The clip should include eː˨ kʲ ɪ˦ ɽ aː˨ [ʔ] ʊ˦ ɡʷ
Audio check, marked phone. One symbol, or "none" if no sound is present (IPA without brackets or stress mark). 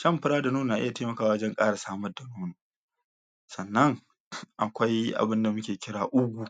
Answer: ʔ